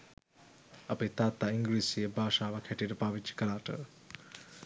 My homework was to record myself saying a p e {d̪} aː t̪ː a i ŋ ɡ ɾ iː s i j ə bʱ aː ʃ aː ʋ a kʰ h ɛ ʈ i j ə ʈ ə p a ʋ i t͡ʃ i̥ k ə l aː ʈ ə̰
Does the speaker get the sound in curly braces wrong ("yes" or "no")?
yes